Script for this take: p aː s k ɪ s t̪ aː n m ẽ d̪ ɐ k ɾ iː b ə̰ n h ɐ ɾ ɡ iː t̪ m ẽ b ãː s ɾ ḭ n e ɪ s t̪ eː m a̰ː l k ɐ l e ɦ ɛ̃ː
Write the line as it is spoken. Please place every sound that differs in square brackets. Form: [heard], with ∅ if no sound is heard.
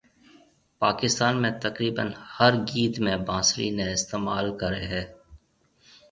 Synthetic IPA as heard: p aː [∅] k ɪ s t̪ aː n m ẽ [t̪] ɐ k ɾ iː b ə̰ n h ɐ ɾ ɡ iː t̪ m ẽ b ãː s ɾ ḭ n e ɪ s t̪ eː m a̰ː l k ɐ [ɾ] e ɦ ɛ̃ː

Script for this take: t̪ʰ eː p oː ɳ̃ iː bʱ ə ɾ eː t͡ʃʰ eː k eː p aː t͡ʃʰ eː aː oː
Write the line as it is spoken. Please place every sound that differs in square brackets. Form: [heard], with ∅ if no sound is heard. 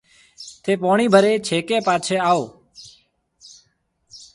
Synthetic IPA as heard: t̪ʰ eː p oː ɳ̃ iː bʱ ə ɾ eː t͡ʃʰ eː k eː p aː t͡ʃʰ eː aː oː

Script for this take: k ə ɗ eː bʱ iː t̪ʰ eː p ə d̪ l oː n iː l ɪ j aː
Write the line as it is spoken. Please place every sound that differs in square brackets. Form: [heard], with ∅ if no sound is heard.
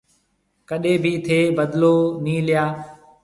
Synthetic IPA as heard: k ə ɗ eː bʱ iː t̪ʰ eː [b] ə d̪ l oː n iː l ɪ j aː

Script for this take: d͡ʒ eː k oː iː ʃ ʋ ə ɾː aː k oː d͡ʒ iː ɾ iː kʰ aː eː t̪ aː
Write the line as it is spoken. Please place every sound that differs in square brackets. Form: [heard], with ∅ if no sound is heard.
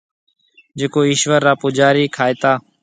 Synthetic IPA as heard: d͡ʒ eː k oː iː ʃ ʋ ə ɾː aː [p] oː d͡ʒ [aː] ɾ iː kʰ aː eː t̪ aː

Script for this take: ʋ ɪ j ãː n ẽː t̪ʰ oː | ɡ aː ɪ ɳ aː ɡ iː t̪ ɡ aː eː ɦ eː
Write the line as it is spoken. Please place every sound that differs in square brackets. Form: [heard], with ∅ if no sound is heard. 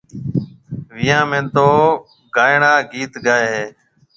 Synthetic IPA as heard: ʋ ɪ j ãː [m] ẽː [t̪] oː | ɡ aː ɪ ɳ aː ɡ iː t̪ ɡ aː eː ɦ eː

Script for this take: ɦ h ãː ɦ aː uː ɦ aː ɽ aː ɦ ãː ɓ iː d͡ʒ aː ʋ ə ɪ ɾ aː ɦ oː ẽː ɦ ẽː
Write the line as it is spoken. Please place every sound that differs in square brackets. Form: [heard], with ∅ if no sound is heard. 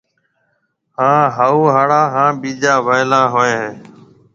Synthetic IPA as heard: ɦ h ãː ɦ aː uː ɦ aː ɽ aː ɦ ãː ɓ iː d͡ʒ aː ʋ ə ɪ [l] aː ɦ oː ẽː ɦ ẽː

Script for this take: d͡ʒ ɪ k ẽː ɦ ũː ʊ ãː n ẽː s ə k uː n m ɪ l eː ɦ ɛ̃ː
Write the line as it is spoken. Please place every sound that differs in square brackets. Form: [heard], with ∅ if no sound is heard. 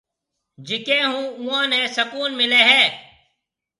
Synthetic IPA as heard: d͡ʒ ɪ k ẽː ɦ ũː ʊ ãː n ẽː s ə k uː n m ɪ l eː ɦ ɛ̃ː

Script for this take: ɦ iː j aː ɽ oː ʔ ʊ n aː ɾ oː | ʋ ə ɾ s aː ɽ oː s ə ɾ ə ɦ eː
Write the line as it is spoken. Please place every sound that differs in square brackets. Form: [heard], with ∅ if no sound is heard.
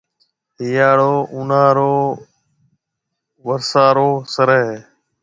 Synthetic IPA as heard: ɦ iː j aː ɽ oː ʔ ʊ n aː ɾ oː | ʋ ə ɾ s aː [ɾ] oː s ə ɾ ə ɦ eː

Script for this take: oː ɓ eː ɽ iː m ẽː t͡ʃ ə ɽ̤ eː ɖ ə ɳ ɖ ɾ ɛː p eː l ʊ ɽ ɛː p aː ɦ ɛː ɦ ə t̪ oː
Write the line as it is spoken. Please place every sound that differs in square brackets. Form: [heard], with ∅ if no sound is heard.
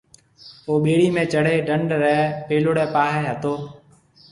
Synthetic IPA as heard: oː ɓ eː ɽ iː m ẽː t͡ʃ ə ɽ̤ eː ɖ ə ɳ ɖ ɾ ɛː p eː l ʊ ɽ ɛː p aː ɦ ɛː ɦ ə t̪ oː

